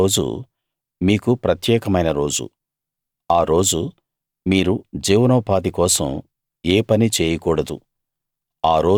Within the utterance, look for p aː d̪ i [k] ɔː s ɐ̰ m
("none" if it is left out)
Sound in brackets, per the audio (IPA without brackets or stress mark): k